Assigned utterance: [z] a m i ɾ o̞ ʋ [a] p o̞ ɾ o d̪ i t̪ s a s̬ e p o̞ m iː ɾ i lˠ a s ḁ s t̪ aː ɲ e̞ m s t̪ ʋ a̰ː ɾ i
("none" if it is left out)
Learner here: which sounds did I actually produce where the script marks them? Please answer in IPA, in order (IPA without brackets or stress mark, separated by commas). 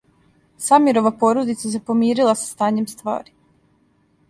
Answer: s, a